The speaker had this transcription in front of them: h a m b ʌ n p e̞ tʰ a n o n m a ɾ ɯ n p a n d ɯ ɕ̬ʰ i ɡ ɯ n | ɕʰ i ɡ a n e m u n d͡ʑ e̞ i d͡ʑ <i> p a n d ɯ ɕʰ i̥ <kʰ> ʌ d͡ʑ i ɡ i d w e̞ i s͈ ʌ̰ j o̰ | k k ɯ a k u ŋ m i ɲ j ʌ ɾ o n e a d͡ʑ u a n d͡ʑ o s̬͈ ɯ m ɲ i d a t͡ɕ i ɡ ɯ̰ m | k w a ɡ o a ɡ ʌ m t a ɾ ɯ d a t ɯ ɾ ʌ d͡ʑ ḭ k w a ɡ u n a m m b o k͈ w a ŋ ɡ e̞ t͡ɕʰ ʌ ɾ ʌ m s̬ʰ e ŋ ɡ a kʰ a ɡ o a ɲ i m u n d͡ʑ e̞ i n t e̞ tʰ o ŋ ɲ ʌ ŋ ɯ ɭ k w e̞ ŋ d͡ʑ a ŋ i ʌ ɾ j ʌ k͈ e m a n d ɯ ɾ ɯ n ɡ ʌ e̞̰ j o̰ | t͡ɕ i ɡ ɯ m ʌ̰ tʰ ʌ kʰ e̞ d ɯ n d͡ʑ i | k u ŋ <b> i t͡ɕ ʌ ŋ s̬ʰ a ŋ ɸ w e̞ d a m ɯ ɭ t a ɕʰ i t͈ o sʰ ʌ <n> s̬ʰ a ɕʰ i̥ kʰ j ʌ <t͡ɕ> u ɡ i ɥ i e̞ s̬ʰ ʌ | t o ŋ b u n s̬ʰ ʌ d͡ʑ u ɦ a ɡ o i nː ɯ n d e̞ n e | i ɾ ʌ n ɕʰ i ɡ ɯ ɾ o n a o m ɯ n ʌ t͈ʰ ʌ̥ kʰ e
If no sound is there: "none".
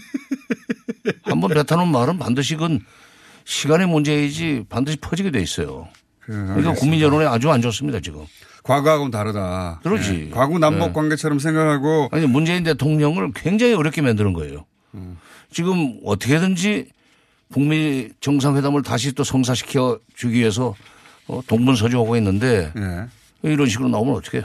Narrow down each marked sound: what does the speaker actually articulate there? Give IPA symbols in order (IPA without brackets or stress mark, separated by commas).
i, pʰ, m, ŋ, t͡ɕ